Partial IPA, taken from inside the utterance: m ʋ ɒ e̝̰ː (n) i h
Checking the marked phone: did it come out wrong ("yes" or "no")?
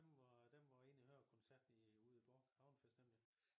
no